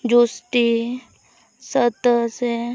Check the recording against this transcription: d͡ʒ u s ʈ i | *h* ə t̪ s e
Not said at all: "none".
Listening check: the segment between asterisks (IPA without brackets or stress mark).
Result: s